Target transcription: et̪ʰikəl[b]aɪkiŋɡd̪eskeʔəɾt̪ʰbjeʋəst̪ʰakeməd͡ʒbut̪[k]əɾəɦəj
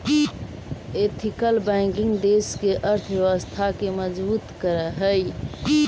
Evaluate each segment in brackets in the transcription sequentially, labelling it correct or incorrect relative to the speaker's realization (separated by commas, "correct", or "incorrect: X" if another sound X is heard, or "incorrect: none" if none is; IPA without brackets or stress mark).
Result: correct, correct